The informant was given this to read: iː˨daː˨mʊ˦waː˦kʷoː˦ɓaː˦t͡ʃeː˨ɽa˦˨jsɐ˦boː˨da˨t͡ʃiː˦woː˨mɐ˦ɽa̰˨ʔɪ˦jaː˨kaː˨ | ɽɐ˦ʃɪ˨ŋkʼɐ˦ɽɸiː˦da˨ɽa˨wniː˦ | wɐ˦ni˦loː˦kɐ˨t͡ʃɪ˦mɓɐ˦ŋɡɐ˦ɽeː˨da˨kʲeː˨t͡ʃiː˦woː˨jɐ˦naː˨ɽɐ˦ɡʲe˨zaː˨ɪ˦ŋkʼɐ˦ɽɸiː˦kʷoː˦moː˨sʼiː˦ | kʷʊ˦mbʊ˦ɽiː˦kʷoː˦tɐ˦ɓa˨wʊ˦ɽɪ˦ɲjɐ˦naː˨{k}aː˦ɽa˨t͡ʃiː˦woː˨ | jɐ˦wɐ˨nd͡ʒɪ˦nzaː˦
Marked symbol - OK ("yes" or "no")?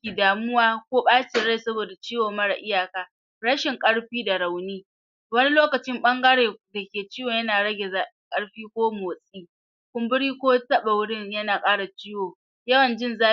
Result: no